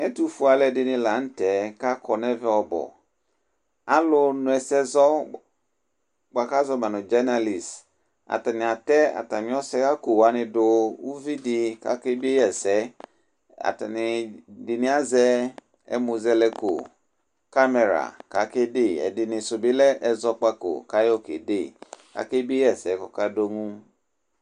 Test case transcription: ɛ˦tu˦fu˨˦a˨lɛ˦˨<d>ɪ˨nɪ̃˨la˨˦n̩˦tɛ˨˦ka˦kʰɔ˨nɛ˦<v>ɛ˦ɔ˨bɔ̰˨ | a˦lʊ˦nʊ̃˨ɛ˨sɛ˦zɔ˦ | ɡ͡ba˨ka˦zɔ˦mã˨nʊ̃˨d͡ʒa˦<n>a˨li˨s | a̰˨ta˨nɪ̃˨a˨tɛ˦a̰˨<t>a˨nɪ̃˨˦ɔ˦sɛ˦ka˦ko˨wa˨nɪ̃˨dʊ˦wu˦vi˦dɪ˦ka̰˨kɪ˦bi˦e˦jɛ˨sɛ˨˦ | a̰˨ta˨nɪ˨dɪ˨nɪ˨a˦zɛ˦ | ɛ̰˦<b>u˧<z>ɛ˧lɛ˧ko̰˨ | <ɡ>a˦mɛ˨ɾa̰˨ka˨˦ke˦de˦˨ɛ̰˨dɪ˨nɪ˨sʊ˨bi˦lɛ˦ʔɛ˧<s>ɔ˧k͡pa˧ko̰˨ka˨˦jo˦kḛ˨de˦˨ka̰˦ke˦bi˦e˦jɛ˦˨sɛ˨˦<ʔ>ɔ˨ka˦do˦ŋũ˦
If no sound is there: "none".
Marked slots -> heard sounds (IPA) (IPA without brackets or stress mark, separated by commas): d, v, n, t, m, z, k, z, k